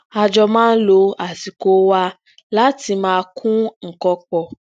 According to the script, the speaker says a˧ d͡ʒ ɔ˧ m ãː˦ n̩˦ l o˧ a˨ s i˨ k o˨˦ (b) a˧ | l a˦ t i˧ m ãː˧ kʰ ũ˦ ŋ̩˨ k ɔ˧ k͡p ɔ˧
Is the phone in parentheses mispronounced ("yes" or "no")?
yes